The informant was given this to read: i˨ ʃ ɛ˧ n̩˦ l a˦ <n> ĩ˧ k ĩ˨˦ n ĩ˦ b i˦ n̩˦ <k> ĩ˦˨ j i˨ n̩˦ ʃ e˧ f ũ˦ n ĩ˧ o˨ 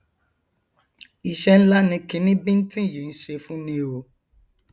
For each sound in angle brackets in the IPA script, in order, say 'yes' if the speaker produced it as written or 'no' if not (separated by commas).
yes, no